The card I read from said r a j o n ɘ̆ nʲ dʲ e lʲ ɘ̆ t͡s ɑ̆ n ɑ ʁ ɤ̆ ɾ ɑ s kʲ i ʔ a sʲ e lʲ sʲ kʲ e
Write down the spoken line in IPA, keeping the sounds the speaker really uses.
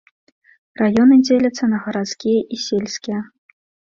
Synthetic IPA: r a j o n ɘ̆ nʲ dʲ e lʲ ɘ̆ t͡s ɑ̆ n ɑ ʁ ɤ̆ ɾ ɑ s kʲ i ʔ i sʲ e lʲ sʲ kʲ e